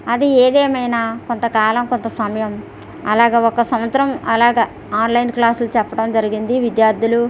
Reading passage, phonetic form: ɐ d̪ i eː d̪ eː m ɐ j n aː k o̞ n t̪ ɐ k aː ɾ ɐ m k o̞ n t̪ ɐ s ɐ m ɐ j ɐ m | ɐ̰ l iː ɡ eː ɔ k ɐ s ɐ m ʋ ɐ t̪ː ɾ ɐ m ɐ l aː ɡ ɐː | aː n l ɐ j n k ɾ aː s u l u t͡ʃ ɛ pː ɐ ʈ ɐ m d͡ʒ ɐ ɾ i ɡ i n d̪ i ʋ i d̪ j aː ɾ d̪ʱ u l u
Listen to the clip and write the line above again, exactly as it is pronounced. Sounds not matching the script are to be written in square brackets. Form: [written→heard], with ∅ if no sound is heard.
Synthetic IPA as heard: ɐ d̪ i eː d̪ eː m ɐ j n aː k o̞ n t̪ ɐ k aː [ɾ→l] ɐ m k o̞ n t̪ ɐ s ɐ m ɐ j ɐ m | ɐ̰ l [iː→aː] ɡ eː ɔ k ɐ s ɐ m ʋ ɐ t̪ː ɾ ɐ m ɐ l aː ɡ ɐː | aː n l ɐ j n k [ɾ→l] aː s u l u t͡ʃ ɛ pː ɐ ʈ ɐ m d͡ʒ ɐ ɾ i ɡ i n d̪ i ʋ i d̪ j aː ɾ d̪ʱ u l u